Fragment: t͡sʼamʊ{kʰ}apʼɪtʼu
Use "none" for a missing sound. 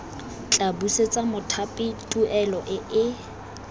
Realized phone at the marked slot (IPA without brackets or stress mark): tʰ